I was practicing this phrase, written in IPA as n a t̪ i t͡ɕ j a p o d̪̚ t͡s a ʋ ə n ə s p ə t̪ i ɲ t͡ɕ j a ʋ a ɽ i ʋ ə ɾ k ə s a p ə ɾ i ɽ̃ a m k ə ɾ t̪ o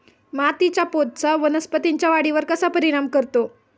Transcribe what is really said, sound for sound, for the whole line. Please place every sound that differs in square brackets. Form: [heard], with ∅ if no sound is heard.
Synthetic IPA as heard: [m] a t̪ i t͡ɕ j a p o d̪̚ t͡s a ʋ ə n ə s p ə t̪ i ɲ t͡ɕ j a ʋ a ɽ i ʋ ə ɾ k ə s a p ə ɾ i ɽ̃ a m k ə ɾ t̪ o